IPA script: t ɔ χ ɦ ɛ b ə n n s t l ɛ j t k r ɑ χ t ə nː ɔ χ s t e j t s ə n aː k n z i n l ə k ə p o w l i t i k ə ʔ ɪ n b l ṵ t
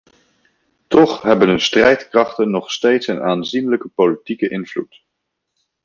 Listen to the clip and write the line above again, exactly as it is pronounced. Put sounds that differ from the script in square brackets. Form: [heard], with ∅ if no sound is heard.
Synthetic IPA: t ɔ χ ɦ ɛ b ə n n s t [r] ɛ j t k r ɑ χ t ə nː ɔ χ s t e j t s ə n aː [∅] n z i n l ə k ə p o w l i t i k ə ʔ ɪ n [v] l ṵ t